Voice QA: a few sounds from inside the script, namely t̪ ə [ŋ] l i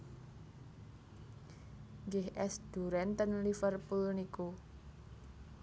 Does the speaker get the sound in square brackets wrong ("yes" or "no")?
yes